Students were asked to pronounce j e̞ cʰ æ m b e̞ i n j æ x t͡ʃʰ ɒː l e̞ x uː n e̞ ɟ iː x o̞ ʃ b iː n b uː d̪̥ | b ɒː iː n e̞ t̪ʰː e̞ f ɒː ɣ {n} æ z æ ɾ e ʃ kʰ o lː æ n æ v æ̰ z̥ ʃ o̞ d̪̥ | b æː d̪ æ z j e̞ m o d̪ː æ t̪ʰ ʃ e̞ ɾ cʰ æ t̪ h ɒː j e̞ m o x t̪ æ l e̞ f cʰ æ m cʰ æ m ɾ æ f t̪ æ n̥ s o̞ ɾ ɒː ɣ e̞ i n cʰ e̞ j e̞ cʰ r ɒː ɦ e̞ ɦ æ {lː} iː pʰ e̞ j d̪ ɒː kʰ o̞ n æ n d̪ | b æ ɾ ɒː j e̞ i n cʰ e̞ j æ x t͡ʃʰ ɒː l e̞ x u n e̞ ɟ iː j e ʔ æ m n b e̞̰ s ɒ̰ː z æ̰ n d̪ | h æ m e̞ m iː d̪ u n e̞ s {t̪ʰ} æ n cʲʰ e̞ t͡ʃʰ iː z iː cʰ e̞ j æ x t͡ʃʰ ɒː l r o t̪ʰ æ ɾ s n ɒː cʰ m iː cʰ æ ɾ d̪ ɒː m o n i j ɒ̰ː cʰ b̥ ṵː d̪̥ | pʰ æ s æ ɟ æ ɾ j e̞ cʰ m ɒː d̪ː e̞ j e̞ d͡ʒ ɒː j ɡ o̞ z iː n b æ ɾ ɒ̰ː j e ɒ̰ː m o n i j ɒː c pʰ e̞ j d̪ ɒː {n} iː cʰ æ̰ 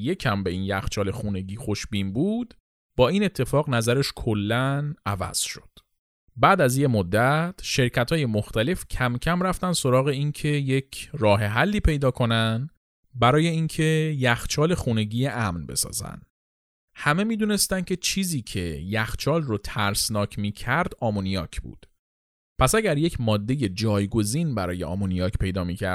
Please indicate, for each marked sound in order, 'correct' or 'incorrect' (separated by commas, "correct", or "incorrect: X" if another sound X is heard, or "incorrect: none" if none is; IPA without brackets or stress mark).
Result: correct, correct, incorrect: t̪, incorrect: m